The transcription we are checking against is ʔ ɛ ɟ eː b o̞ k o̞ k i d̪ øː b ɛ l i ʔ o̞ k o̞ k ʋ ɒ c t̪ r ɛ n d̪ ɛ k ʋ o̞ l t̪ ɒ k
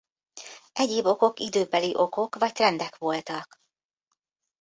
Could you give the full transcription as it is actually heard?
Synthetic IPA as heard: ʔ ɛ ɟ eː b o̞ k o̞ k i d̪ øː b ɛ l i ʔ o̞ k o̞ k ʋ ɒ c t̪ r ɛ n d̪ ɛ k ʋ o̞ l t̪ ɒ k

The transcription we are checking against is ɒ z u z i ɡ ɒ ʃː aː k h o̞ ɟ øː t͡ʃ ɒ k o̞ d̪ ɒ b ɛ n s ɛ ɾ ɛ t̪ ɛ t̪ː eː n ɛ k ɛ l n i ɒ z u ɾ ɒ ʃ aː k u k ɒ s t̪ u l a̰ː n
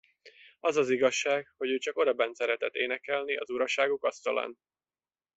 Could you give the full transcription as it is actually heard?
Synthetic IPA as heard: ɒ z ɒ z i ɡ ɒ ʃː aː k h o̞ ɟ øː t͡ʃ ɒ k o̞ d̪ ɒ b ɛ n s ɛ ɾ ɛ t̪ ɛ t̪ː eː n ɛ k ɛ l n i ɒ z u ɾ ɒ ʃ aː ɡ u k ɒ s t̪ ɒ l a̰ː n

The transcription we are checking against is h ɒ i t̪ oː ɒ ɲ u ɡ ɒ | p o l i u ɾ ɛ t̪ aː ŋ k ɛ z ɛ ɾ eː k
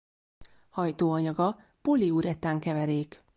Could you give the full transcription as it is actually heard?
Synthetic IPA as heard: h ɒ j t̪ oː ɒ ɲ ɒ ɡ ɒ | p o l i u ɾ ɛ t̪ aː ŋ k ɛ v ɛ ɾ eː k

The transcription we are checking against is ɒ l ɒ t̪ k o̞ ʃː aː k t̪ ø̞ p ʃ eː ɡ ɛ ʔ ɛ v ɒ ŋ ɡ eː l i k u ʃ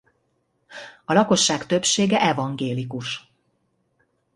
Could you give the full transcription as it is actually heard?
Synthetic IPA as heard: ɒ l ɒ k o̞ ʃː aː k t̪ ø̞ p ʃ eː ɡ ɛ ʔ ɛ v ɒ ŋ ɡ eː l i k u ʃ

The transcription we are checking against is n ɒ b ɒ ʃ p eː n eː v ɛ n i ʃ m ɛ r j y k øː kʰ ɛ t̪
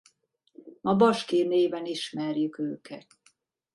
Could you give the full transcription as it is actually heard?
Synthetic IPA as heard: m ɒ b ɒ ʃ k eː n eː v ɛ n i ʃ m ɛ r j y k øː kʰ ɛ t̪

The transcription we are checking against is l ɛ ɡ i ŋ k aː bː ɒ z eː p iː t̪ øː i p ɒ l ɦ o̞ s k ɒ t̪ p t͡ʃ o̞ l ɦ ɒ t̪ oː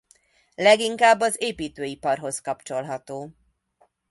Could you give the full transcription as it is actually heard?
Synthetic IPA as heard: l ɛ ɡ i ŋ k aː bː ɒ z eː p iː t̪ øː i p ɒ r ɦ o̞ s k ɒ p t͡ʃ o̞ l ɦ ɒ t̪ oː

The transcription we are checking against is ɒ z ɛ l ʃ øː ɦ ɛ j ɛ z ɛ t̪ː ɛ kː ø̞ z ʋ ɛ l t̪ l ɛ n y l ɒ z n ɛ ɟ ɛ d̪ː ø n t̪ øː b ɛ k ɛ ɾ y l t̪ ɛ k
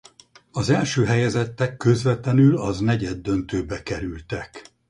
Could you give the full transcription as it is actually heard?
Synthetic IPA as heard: ɒ z ɛ l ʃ øː ɦ ɛ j ɛ z ɛ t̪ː ɛ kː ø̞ z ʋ ɛ t̪ l ɛ n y l ɒ z n ɛ ɟ ɛ d̪ː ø n t̪ øː b ɛ k ɛ ɾ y l t̪ ɛ k

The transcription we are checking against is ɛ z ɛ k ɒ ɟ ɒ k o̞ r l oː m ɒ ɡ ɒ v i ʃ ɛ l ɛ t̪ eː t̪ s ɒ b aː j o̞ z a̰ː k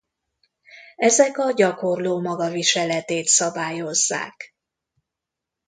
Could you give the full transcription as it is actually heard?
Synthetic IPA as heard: ɛ z ɛ k ɒ ɟ ɒ k o̞ r l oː m ɒ ɡ ɒ v i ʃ ɛ l ɛ t̪ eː t̪ s ɒ b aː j o̞ zː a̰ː k

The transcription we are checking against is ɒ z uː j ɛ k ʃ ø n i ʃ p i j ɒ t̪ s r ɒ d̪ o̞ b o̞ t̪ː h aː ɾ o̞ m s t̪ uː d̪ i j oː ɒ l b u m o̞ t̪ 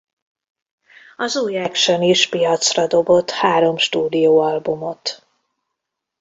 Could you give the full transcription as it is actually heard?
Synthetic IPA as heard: ɒ z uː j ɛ k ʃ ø n i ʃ p i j ɒ t̪ s r ɒ d̪ o̞ b o̞ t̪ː h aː ɾ o̞ m ʃ t̪ uː d̪ i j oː ɒ l b u m o̞ t̪

